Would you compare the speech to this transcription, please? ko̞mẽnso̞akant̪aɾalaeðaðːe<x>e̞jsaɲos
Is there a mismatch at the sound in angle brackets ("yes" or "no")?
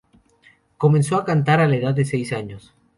yes